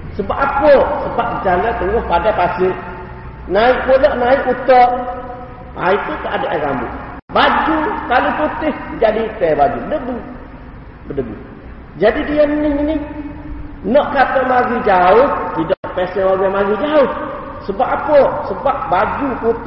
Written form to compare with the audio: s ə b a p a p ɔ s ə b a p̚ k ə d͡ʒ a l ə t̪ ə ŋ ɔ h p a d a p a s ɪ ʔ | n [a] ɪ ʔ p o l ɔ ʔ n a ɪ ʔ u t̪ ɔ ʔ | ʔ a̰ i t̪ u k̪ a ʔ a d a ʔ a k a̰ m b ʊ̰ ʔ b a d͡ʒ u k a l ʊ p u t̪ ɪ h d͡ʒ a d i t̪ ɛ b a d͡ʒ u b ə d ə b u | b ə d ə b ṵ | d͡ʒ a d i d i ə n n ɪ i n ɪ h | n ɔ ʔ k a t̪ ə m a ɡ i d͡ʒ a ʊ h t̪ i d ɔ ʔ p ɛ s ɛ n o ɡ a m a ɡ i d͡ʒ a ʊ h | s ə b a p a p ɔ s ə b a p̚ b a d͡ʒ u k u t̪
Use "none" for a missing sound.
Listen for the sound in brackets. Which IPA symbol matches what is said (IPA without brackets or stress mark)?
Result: a